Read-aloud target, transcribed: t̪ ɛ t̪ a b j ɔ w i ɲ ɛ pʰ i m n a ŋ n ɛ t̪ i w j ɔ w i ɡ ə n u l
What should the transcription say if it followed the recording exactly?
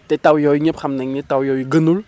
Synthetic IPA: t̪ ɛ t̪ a w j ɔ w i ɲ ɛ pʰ a m n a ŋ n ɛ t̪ a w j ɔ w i ɡ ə n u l